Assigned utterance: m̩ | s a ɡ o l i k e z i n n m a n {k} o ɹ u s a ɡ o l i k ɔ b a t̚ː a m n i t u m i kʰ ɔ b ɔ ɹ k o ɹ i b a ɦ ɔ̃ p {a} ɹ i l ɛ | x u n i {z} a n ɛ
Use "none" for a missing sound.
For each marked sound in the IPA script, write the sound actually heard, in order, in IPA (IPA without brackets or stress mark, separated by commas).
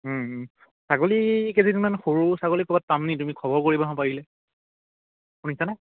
x, a, s